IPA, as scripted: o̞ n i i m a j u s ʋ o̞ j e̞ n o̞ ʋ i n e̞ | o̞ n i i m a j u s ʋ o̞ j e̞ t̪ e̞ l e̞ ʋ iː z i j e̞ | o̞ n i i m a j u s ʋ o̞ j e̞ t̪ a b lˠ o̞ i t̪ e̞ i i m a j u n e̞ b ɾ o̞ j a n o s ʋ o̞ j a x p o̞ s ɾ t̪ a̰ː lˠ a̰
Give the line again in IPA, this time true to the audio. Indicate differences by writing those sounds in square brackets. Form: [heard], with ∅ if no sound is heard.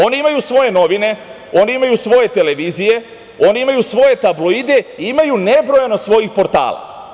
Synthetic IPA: o̞ n i i m a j u s ʋ o̞ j e̞ n o̞ ʋ i n e̞ | o̞ n i i m a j u s ʋ o̞ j e̞ t̪ e̞ l e̞ ʋ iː z i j e̞ | o̞ n i i m a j u s ʋ o̞ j e̞ t̪ a b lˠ o̞ i [d̪] e̞ i i m a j u n e̞ b ɾ o̞ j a n o s ʋ o̞ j [i] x p o̞ [∅] ɾ t̪ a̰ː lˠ a̰